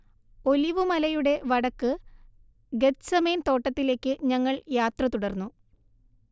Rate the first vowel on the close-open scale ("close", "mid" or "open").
mid